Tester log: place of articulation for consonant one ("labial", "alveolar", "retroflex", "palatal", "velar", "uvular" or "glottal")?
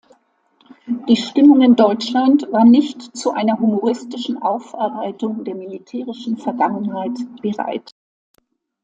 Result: alveolar